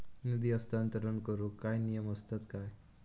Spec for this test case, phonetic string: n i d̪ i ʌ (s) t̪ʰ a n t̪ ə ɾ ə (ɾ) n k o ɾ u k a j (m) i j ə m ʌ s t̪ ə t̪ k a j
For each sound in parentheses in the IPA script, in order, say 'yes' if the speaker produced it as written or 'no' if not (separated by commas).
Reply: yes, no, no